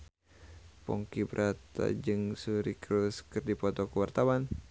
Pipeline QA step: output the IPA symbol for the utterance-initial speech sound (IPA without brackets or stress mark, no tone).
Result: p